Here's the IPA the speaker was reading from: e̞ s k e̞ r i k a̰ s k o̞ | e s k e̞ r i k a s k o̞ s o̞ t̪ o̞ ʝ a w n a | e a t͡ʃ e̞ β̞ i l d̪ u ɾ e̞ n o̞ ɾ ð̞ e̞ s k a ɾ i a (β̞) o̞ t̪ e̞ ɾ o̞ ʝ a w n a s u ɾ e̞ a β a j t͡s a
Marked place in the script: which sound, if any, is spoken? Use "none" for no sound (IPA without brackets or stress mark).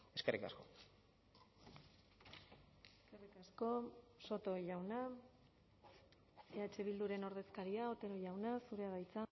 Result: none